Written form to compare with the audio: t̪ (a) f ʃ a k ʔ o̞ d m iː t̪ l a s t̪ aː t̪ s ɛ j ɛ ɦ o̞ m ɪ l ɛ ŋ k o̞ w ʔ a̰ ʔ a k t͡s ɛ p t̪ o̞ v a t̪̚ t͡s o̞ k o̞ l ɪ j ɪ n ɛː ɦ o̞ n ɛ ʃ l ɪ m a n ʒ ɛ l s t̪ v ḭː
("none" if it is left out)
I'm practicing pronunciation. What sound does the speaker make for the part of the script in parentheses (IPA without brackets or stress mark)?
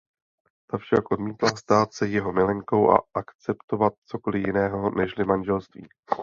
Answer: a